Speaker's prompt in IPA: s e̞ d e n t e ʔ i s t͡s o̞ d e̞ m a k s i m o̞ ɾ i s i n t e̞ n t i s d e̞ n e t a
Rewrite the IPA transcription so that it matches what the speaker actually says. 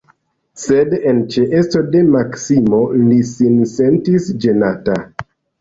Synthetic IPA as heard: s e̞ d e n t͡ʃ e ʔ e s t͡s o̞ d e̞ m a k s i m o̞ l i s i n s e̞ n t i s d͡ʒ e̞ n a t a